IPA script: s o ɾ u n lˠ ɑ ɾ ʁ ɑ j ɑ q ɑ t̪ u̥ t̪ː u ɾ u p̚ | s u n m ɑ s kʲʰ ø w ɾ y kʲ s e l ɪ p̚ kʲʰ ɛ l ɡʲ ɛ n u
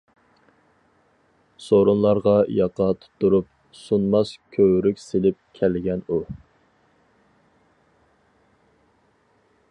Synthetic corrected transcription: s o ɾ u n lˠ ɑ ɾ ʁ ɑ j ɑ q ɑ t̪ʰ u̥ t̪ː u ɾ u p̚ | s u n m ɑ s kʲʰ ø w ɾ y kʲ s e l ɪ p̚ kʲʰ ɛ l ɡʲ ɛ n u